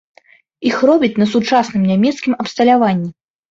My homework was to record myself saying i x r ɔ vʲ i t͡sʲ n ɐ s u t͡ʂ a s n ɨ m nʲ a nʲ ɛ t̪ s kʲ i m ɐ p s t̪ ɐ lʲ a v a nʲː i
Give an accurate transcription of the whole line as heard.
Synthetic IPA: i x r ɔ bʲ i t͡sʲ n ɐ s u t͡ʂ a s n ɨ m nʲ a mʲ ɛ t̪ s kʲ i m ɐ p s t̪ ɐ lʲ a v a nʲː i